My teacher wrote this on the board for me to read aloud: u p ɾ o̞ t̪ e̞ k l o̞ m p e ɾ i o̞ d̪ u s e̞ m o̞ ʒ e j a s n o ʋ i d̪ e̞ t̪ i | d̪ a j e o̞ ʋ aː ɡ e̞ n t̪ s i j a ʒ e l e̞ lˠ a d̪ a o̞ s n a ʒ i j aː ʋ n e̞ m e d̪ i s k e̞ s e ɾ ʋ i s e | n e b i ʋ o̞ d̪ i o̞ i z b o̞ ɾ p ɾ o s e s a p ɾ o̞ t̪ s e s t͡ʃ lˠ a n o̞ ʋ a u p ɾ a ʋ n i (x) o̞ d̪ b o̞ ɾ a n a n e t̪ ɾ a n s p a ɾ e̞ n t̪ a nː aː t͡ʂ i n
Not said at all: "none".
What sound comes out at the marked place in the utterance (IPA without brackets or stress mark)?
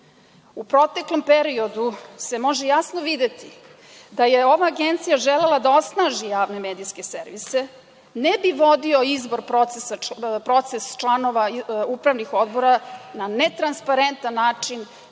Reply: x